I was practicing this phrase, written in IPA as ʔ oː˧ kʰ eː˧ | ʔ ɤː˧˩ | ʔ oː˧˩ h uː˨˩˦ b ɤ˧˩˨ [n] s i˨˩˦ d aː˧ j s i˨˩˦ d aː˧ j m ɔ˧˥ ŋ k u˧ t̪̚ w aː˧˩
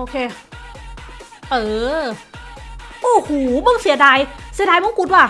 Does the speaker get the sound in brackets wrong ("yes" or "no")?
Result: yes